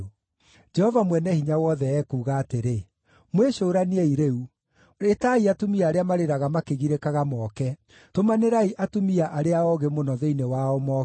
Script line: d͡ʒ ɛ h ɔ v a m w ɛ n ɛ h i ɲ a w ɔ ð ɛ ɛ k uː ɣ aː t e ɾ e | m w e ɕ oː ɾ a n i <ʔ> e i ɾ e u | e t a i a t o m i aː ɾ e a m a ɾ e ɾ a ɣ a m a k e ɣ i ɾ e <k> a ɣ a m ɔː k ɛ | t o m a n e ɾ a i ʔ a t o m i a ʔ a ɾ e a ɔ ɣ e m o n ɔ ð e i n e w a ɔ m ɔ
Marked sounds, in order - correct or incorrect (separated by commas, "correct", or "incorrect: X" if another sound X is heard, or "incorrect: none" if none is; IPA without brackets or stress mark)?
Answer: incorrect: none, correct